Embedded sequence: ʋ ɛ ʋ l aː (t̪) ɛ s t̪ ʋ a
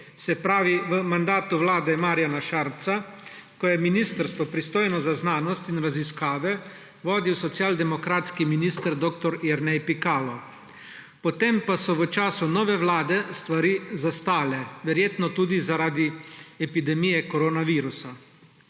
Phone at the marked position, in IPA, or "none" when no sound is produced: d̪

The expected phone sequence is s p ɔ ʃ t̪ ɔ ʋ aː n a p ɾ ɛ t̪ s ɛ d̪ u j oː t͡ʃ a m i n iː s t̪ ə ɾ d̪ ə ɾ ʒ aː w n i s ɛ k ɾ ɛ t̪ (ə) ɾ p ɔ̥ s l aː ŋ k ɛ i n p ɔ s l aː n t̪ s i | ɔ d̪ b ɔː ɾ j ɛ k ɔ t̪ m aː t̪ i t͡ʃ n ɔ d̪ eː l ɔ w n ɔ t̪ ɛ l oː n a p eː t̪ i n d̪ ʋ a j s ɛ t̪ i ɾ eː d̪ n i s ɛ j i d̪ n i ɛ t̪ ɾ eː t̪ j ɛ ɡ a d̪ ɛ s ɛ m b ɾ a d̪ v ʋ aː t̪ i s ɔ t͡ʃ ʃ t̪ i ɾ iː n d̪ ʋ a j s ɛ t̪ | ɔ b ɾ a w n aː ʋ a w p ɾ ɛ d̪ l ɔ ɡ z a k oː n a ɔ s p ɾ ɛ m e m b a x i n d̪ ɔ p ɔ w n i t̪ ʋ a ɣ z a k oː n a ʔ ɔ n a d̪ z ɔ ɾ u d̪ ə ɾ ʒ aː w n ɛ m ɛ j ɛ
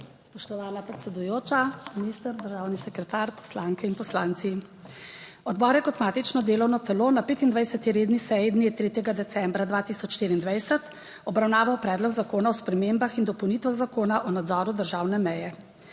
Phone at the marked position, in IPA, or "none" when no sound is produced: a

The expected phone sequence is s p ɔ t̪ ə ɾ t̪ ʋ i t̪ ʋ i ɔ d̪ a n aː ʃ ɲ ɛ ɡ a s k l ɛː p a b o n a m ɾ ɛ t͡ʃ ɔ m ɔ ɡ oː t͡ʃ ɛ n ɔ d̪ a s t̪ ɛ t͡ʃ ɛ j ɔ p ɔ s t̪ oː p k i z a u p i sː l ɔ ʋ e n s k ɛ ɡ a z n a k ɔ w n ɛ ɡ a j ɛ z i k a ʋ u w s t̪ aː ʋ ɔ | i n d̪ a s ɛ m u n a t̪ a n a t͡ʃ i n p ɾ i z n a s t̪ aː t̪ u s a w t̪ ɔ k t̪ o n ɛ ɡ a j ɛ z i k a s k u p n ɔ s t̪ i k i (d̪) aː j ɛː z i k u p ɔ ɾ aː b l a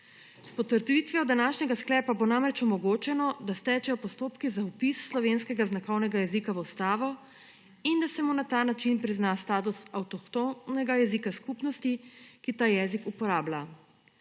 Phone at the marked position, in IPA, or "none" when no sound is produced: t̪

